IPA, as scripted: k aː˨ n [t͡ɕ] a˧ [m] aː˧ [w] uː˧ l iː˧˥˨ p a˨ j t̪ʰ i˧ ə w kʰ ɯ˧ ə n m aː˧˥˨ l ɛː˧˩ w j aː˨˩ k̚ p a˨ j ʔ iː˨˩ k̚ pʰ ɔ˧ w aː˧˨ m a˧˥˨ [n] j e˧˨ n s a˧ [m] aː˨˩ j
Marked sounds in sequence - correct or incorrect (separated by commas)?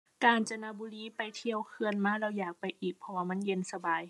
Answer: correct, incorrect, incorrect, correct, incorrect